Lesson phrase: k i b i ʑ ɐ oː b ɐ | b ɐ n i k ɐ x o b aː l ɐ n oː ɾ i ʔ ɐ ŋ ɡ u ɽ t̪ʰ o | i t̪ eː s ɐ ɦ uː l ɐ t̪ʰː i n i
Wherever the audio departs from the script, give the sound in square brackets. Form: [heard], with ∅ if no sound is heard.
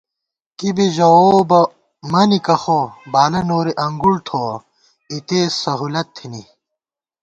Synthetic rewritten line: k i b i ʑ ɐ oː b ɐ | [m] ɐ n i k ɐ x o b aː l ɐ n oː ɾ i ʔ ɐ ŋ ɡ u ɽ t̪ʰ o | i t̪ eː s ɐ ɦ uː l ɐ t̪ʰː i n i